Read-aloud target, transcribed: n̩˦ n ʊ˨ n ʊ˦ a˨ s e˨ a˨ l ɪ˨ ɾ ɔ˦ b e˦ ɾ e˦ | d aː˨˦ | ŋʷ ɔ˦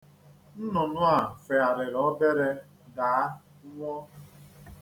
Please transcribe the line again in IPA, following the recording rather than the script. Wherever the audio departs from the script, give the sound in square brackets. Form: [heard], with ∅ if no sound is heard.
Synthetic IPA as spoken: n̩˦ n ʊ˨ n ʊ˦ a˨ [f] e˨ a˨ [ɾ] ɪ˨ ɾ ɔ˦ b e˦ ɾ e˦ | d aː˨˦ | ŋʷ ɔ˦